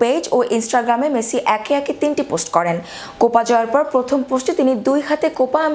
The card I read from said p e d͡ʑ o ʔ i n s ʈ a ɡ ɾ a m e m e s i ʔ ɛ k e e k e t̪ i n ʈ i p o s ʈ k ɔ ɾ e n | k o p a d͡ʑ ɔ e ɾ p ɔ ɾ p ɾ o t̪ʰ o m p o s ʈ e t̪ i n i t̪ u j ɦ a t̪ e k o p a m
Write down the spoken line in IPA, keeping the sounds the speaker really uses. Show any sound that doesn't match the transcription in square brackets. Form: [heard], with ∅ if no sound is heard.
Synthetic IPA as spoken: p e d͡ʑ o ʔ i n s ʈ a ɡ ɾ a m e m e s i ʔ ɛ k e [ɛ] k e t̪ i n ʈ i p o s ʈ k ɔ ɾ e n | k o p a d͡ʑ ɔ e ɾ p ɔ ɾ p ɾ o t̪ʰ o m p o s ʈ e t̪ i n i [d̪] u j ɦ a t̪ e k o p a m